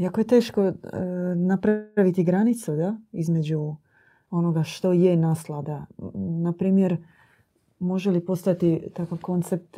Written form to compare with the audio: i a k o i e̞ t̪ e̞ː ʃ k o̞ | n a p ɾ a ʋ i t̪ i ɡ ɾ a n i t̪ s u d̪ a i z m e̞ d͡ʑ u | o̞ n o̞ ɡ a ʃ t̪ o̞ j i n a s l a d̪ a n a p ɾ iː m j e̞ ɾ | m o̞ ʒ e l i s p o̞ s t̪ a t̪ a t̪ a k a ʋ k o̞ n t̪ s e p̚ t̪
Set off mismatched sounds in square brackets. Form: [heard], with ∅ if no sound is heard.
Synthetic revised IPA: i a k o [j] e̞ t̪ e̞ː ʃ k o̞ | n a p ɾ a ʋ i t̪ i ɡ ɾ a n i t̪ s u d̪ a i z m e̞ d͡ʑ u | o̞ n o̞ ɡ a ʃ t̪ o̞ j [e] n a s l a d̪ a n a p ɾ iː m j e̞ ɾ | m o̞ ʒ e l i [∅] p o̞ s t̪ a t̪ [i] t̪ a k a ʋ k o̞ n t̪ s e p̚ t̪